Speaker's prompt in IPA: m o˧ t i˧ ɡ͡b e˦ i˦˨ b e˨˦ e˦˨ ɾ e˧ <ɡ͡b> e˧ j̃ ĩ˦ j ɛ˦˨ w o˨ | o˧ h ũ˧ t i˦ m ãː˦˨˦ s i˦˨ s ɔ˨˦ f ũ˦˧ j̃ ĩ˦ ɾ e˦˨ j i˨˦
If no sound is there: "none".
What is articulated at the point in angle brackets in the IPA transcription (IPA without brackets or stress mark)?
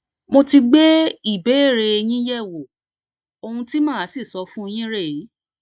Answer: none